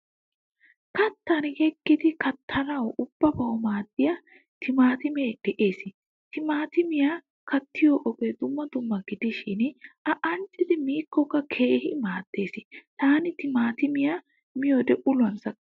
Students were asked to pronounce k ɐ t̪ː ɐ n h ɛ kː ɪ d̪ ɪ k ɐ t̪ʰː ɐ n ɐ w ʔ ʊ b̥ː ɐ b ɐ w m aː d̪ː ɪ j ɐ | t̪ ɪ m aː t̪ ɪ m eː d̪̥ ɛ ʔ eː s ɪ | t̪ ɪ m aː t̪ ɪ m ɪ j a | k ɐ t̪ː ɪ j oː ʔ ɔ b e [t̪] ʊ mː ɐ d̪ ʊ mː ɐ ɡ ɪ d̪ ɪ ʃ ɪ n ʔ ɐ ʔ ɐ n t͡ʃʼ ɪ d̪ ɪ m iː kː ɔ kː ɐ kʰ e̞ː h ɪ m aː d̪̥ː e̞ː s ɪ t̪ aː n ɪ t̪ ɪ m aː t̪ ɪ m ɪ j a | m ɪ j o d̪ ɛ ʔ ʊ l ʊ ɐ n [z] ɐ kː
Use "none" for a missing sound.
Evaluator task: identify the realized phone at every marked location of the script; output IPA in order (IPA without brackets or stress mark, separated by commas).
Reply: d̪, s